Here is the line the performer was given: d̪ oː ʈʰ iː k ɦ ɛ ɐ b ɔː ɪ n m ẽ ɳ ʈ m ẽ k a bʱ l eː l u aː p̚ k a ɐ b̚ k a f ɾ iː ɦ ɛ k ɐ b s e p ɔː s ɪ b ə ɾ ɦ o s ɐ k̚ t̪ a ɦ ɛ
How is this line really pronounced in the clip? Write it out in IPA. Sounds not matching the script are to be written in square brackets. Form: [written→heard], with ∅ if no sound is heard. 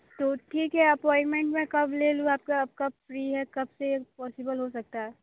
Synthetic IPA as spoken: [d̪→t̪] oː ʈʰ iː k ɦ ɛ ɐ [b→p] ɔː ɪ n m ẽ ɳ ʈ m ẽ k [a→ɐ] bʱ l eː l u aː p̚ k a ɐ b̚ k a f ɾ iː ɦ ɛ k ɐ b s e p ɔː s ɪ b ə [ɾ→l] ɦ o s ɐ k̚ t̪ a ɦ ɛ

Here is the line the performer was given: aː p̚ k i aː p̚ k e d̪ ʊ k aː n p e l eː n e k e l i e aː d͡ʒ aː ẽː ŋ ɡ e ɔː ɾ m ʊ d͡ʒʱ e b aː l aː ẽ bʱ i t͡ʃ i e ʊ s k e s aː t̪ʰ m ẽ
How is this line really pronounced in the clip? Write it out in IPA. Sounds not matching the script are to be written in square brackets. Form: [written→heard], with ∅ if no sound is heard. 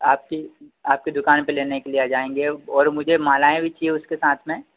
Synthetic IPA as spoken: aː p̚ k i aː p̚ k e d̪ ʊ k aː n p e l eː n e k e l i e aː d͡ʒ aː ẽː ŋ ɡ e ɔː ɾ m ʊ d͡ʒʱ e [b→m] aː l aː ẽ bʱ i t͡ʃ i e ʊ s k e s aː t̪ʰ m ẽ

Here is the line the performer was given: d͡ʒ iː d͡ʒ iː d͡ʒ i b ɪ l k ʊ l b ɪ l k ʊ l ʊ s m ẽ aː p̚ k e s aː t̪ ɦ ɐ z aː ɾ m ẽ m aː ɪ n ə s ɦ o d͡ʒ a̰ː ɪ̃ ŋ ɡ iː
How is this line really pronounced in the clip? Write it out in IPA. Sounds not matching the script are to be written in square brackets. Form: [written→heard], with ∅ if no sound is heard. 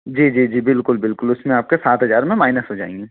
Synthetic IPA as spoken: d͡ʒ iː d͡ʒ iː d͡ʒ [i→iː] b ɪ l k ʊ l b ɪ l k ʊ l ʊ s m ẽ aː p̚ k e s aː t̪ ɦ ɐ z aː ɾ m ẽ m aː ɪ n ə s ɦ o d͡ʒ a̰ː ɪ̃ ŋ ɡ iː

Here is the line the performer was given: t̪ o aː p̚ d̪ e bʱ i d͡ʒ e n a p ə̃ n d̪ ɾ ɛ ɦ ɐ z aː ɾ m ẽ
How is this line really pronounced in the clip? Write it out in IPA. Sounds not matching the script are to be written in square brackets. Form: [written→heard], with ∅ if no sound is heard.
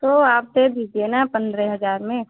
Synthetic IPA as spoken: t̪ o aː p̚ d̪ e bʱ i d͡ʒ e n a p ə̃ n d̪ ɾ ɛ ɦ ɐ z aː ɾ m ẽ

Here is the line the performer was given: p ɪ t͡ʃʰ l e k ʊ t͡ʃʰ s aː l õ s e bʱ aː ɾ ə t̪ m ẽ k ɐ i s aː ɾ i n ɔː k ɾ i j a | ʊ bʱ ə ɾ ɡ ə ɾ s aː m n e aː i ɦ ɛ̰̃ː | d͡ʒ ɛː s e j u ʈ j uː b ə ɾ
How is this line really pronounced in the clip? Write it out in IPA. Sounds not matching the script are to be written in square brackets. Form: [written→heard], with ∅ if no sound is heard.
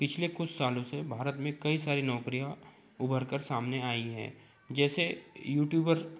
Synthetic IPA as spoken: p ɪ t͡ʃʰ l e k ʊ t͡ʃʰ s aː l õ s e bʱ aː ɾ ə t̪ m ẽ k ɐ i s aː ɾ i n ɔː k ɾ i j a | ʊ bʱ ə ɾ [ɡ→k] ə ɾ s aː m n e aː i ɦ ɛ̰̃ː | d͡ʒ ɛː s e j [u→uː] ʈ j uː b ə ɾ

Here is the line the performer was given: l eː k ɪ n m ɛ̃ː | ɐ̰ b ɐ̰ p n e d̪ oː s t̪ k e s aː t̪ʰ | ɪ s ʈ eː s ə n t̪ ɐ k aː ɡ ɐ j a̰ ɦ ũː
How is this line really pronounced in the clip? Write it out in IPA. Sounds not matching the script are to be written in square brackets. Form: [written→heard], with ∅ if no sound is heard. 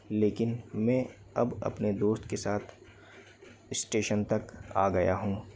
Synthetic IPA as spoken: l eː k ɪ n m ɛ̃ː | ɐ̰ b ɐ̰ p n e d̪ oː s t̪ k e s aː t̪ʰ | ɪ s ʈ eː [s→ʃ] ə n t̪ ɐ k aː ɡ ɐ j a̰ ɦ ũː

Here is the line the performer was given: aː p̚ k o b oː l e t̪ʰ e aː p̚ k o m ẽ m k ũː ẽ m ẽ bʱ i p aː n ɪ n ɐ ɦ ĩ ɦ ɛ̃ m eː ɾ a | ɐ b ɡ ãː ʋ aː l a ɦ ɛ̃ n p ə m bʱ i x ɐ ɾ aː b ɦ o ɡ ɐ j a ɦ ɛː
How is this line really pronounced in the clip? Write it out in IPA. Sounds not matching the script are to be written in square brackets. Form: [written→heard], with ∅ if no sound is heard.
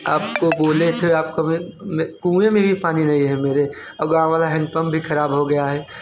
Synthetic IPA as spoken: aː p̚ k o b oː l e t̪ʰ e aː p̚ k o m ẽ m k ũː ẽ m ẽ bʱ i p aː n [ɪ→i] n ɐ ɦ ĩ ɦ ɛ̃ m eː ɾ [a→e] | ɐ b ɡ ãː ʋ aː l a ɦ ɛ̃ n p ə m bʱ i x ɐ ɾ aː b ɦ o ɡ ɐ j a ɦ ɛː

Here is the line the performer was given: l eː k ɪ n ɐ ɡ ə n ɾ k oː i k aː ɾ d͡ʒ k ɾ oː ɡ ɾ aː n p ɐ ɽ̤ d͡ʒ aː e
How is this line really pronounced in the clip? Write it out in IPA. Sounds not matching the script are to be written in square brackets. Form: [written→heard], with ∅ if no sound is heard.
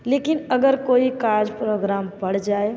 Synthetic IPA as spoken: l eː k ɪ n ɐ ɡ ə [n→∅] ɾ k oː i k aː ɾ d͡ʒ [k→p] ɾ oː ɡ ɾ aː [n→m] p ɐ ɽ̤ d͡ʒ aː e

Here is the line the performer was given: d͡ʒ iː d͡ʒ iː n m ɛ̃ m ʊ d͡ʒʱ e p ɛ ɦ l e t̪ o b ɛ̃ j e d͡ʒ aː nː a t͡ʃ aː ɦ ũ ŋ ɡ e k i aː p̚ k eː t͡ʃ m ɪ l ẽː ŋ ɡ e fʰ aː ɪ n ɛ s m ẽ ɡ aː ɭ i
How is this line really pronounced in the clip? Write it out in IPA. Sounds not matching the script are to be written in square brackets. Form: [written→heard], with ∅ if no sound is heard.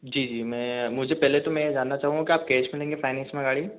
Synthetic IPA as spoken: d͡ʒ iː d͡ʒ iː [n→∅] m ɛ̃ m ʊ d͡ʒʱ e p ɛ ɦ l e t̪ o [b→m] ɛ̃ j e d͡ʒ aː nː a t͡ʃ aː ɦ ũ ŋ ɡ [e→a] k i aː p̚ k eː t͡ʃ m ɪ l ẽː ŋ ɡ e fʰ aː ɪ n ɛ s m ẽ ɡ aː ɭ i

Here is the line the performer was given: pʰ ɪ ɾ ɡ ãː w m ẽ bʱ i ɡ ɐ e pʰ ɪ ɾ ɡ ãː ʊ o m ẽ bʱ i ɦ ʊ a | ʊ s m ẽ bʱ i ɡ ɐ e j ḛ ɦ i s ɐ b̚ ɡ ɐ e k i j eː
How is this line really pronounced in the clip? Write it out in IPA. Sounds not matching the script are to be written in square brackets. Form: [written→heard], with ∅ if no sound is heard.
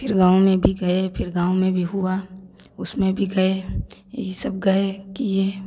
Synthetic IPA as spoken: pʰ ɪ ɾ ɡ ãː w m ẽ bʱ i ɡ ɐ e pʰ ɪ ɾ ɡ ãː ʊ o m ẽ bʱ i ɦ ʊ a | ʊ s m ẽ bʱ i ɡ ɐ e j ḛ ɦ i s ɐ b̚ ɡ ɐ e k i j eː

